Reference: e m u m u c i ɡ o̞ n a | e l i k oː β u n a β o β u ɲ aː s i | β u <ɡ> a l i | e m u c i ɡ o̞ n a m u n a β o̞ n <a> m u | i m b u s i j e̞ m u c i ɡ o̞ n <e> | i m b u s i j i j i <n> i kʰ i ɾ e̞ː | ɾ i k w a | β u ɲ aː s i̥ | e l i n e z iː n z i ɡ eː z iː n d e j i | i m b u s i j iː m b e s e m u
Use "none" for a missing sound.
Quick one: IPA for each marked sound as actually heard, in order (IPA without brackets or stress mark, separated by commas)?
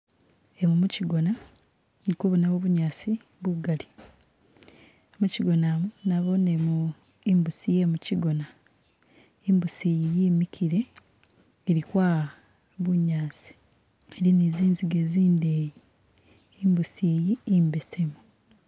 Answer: ɡ, e, a, m